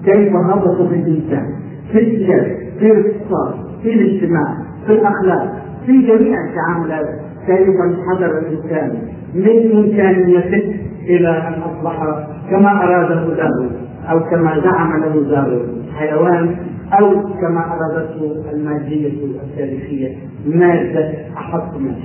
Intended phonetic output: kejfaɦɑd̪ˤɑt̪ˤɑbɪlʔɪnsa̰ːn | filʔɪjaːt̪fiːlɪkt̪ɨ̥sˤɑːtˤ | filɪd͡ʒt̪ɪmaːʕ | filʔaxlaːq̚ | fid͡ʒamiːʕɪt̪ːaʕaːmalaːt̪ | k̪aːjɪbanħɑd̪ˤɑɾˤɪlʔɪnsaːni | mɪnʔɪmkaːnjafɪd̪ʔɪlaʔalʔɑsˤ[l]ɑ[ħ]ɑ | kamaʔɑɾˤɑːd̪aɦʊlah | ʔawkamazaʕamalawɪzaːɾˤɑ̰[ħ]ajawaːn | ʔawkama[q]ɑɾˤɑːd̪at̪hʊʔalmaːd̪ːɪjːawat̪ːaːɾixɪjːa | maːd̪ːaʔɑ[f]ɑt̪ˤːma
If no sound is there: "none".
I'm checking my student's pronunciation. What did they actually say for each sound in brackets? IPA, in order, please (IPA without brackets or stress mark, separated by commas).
l, ħ, ħ, ʔ, ħ